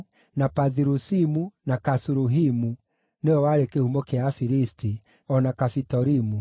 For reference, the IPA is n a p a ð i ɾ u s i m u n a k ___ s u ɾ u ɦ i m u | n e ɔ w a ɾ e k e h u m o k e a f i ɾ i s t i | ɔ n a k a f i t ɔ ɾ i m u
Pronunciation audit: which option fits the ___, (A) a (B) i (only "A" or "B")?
A